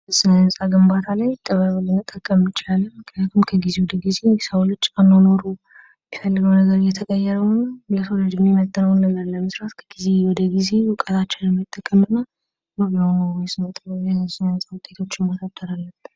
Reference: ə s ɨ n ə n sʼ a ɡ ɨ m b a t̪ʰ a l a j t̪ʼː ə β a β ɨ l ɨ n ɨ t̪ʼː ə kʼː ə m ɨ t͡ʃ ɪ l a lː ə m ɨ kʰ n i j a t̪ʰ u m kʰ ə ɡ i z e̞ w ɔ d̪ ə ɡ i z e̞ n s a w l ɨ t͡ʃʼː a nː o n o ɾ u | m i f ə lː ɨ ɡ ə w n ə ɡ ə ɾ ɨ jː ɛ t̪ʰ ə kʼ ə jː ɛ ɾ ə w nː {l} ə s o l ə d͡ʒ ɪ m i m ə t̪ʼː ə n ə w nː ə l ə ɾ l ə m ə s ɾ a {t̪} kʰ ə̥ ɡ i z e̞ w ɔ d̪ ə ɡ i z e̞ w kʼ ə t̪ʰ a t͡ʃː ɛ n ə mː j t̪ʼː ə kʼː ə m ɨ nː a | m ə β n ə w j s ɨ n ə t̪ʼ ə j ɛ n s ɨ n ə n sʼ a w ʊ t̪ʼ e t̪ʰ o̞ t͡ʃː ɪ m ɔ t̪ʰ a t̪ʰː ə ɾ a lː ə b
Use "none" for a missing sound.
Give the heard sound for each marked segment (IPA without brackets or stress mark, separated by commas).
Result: l, t̪